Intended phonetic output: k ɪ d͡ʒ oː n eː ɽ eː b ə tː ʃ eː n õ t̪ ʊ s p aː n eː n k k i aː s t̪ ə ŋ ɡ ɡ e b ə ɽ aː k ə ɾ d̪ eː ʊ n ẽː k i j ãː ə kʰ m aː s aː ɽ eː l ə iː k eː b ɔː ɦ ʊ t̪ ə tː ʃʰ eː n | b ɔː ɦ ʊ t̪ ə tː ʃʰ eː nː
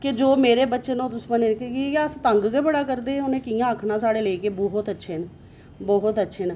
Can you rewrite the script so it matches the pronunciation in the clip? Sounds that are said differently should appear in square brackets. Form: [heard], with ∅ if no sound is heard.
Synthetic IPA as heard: k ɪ d͡ʒ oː [m] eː [ɾ] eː b ə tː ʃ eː n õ t̪ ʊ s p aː n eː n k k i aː s t̪ ə ŋ ɡ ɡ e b ə ɽ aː k ə ɾ d̪ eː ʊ n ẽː k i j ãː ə kʰ [n] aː s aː ɽ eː l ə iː k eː b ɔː ɦ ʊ t̪ ə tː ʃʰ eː n | b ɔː ɦ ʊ t̪ ə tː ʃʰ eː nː